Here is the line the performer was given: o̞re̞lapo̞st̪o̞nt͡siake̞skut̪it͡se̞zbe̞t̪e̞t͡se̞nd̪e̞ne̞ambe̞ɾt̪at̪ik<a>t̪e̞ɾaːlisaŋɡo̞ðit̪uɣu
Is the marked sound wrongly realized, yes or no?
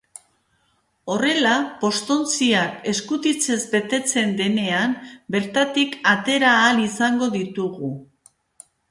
no